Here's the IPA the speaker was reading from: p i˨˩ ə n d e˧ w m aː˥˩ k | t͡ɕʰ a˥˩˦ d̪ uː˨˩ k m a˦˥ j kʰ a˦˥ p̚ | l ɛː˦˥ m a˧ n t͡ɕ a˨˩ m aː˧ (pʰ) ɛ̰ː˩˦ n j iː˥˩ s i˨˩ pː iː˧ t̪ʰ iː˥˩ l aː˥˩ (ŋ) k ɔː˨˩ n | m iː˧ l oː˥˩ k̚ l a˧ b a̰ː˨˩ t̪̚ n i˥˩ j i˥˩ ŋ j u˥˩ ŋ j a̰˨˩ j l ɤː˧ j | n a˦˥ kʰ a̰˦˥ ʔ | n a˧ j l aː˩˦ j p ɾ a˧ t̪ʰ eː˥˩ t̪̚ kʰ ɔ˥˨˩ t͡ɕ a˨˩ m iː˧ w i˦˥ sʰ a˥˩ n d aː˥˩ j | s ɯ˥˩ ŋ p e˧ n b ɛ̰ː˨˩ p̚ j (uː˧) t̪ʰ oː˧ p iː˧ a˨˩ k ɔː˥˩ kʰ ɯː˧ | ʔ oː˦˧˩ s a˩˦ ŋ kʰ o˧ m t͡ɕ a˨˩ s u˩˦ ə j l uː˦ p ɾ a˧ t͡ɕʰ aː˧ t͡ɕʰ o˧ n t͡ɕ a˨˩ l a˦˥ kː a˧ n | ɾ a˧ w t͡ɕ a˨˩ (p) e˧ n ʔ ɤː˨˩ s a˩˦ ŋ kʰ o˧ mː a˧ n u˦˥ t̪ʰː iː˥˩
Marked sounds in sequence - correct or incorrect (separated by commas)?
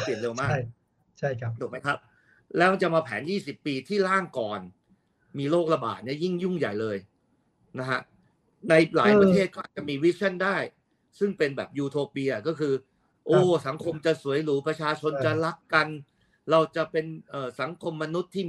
correct, correct, correct, correct